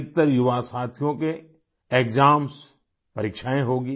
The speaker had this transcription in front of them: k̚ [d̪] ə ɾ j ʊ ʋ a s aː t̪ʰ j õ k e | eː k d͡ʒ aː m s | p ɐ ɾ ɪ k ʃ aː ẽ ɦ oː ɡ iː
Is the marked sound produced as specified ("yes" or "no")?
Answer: no